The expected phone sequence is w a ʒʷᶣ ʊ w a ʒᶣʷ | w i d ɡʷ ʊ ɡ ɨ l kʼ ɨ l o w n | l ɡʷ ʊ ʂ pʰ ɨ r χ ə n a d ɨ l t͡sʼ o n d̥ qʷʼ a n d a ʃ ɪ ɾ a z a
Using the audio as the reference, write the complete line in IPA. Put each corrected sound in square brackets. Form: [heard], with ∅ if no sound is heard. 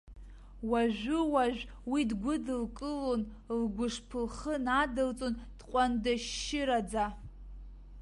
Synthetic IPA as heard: w a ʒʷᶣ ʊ w a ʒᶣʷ | w i d ɡʷ ʊ [d] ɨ l kʼ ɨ l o [∅] n | l ɡʷ ʊ ʂ pʰ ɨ [l] χ ə n a d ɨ l t͡sʼ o n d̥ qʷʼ a n d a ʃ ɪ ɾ a [d͡z] a